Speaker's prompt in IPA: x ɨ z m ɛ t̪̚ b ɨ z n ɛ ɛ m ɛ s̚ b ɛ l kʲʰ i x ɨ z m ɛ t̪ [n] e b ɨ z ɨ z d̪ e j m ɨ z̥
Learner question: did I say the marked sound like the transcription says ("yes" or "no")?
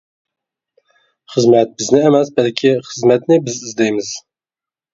yes